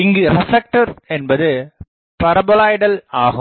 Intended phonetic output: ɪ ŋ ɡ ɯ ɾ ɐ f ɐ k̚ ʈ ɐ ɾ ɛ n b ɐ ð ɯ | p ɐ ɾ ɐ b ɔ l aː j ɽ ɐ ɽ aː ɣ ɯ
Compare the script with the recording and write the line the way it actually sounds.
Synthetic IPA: ɪ ŋ ɡ ɯ ɾ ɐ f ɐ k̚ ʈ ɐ ɾ ɛ n b ɐ ð ɯ | p ɐ ɾ ɐ b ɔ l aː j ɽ ɐ l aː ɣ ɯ